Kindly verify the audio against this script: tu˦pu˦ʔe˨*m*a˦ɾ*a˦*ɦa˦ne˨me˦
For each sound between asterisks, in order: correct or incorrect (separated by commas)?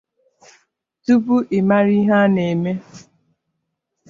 correct, incorrect